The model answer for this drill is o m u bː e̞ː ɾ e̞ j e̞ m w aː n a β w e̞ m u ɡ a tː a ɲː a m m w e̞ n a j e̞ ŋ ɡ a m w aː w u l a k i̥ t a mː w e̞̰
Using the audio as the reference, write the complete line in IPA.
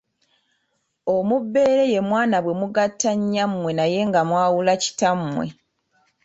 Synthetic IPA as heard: o m u bː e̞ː ɾ e̞ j e̞ m w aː n a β w e̞ m u ɡ a tː a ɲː a m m w e̞ n a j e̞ ŋ ɡ a m w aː w u l a c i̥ t a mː w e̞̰